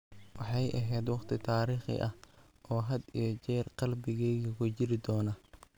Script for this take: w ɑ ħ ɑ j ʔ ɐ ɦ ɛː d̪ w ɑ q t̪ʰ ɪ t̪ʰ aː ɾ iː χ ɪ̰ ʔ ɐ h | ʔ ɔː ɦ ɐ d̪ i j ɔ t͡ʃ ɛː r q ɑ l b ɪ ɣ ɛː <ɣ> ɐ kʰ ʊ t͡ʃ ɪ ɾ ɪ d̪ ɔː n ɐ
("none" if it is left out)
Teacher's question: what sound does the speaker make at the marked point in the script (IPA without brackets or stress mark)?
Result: ɣ